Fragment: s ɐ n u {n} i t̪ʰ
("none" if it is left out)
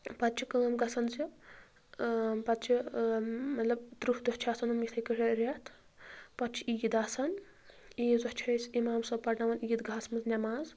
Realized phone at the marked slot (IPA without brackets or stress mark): m